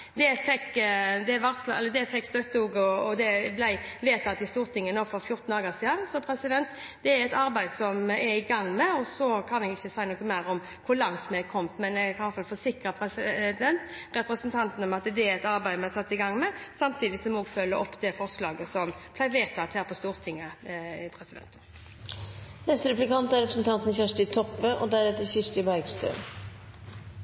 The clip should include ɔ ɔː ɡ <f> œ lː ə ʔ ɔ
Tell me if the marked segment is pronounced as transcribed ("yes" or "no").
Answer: yes